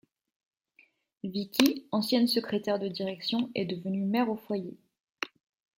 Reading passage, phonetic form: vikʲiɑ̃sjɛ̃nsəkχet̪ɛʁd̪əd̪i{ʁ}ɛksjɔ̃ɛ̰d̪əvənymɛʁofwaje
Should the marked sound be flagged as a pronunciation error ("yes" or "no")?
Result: no